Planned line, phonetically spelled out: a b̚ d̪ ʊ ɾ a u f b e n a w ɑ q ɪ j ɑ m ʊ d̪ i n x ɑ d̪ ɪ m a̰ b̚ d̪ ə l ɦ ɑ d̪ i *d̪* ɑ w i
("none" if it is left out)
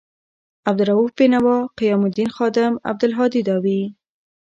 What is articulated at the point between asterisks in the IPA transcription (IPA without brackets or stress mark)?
d̪